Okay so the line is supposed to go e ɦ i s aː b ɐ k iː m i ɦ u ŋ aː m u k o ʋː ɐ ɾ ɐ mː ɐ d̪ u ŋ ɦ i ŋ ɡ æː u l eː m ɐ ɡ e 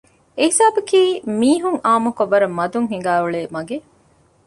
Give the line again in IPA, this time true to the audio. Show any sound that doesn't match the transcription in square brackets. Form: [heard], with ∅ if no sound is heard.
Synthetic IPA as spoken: e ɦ i s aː b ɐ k iː m [iː] ɦ u ŋ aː m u k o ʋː ɐ ɾ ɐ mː ɐ d̪ u ŋ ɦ i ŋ ɡ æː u [ɭ] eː m ɐ ɡ e